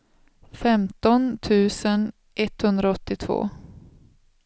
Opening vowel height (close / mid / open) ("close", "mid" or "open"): mid